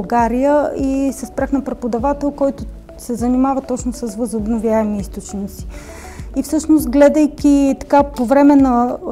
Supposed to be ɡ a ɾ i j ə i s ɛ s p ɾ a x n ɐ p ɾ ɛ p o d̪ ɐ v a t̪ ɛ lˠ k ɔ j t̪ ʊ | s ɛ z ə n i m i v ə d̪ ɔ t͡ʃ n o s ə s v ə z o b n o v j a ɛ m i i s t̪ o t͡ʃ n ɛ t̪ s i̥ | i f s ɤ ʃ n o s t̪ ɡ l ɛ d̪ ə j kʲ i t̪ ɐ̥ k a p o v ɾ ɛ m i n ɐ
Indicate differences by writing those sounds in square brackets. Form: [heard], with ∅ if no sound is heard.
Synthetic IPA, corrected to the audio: ɡ a ɾ i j ə i s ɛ s p ɾ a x n ɐ p ɾ ɛ p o d̪ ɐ v a t̪ ɛ lˠ k ɔ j t̪ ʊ | s ɛ z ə n i m [a] v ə [t̪] ɔ t͡ʃ n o s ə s v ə z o b n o v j a ɛ m i i s t̪ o t͡ʃ n [i] t̪ s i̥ | i f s ɤ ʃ n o s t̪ ɡ l ɛ d̪ ə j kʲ i t̪ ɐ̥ k a p o v ɾ ɛ m [ɛ] n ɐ